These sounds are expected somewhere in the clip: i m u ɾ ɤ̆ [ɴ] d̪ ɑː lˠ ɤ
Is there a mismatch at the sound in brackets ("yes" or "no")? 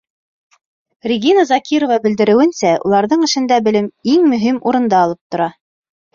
yes